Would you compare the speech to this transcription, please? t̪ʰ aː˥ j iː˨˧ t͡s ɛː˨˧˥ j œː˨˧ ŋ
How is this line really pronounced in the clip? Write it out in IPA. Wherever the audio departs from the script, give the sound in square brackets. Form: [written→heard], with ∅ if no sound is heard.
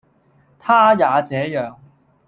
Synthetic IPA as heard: t̪ʰ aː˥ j [iː˨˧→aː˨˧] t͡s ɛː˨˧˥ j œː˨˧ ŋ